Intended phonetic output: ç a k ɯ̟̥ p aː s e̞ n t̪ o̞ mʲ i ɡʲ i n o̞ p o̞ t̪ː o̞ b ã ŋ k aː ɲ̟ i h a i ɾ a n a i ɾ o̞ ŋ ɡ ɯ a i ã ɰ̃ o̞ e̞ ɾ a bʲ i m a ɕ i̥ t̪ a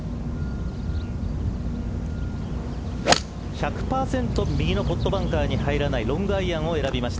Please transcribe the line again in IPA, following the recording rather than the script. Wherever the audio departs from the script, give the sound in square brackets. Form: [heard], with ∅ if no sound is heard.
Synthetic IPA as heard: ç a k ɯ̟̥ p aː s [ẽ̞] n t̪ o̞ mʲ i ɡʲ i n o̞ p o̞ t̪ː o̞ b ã ŋ k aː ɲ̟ i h a i ɾ a n a i ɾ [õ̞] ŋ ɡ ɯ a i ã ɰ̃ o̞ e̞ ɾ a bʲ i m a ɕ i̥ t̪ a